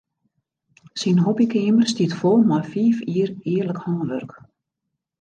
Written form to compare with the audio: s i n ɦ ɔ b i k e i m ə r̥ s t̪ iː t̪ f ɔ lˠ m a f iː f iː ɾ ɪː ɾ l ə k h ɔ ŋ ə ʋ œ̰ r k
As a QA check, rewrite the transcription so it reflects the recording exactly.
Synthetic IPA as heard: s i n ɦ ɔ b i k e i m ə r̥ s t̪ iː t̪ f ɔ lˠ m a f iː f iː ɾ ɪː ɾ l ə k h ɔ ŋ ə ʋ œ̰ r k